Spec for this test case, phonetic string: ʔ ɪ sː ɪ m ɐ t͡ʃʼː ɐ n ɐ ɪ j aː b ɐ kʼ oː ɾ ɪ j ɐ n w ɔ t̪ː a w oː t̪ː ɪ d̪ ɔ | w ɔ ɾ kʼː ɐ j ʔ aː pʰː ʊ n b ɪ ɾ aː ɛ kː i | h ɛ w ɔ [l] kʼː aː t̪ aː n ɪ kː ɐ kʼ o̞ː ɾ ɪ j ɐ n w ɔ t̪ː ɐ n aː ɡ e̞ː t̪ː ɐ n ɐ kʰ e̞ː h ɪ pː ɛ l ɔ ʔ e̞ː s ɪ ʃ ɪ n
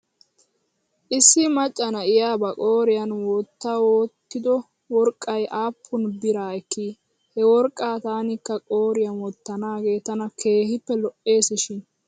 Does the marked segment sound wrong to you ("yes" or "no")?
yes